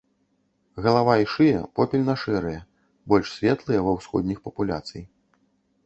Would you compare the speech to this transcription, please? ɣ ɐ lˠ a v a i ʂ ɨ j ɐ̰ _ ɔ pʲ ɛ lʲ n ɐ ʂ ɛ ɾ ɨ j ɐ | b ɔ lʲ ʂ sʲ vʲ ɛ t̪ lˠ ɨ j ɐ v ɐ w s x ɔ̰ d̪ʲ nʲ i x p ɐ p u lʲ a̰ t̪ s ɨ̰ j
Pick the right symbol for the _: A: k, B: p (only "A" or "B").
B